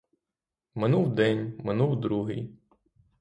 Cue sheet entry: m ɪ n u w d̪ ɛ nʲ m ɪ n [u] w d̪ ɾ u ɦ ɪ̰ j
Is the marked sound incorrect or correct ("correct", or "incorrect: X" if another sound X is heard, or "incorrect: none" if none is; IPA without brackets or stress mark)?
correct